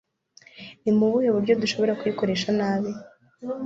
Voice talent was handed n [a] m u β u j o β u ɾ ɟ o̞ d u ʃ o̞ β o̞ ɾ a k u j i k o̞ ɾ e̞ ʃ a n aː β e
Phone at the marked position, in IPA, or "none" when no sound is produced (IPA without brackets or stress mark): i